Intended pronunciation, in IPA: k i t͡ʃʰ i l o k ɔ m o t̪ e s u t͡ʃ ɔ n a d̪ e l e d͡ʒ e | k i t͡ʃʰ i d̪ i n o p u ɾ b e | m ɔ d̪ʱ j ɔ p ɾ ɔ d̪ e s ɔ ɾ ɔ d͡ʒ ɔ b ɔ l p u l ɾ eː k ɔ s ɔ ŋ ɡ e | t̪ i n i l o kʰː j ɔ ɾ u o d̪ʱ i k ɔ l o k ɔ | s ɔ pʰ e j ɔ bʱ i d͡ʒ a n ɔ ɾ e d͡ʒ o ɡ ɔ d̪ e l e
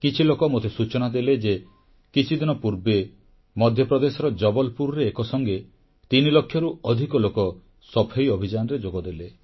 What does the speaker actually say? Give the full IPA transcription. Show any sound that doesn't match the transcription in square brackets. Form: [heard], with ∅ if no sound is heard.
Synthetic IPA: k i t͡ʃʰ i l o k ɔ m o t̪ e s u t͡ʃ ɔ n a d̪ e l e d͡ʒ e | k i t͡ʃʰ i d̪ i n [ɔ] p u ɾ b e | m ɔ d̪ʱ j ɔ p ɾ ɔ d̪ e s ɔ ɾ ɔ d͡ʒ ɔ b ɔ l p u [ɾ] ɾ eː k ɔ s ɔ ŋ ɡ e | t̪ i n i l o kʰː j ɔ ɾ u [ɔ] d̪ʱ i k ɔ l o k ɔ | s ɔ pʰ e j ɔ bʱ i d͡ʒ a n ɔ ɾ e d͡ʒ o ɡ ɔ d̪ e l e